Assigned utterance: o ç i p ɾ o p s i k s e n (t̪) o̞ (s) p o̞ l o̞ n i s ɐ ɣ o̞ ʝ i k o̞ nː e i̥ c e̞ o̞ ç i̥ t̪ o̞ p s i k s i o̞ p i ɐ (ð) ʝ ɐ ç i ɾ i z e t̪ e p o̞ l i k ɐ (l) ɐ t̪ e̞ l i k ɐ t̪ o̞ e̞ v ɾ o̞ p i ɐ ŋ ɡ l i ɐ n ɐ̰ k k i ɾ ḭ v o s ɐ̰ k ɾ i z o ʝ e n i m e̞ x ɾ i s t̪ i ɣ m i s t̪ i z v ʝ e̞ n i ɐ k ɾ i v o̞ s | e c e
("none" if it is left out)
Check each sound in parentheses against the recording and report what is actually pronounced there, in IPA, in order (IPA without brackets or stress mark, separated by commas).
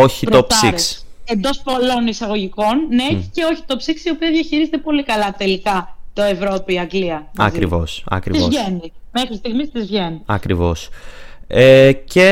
d̪, s, ð, l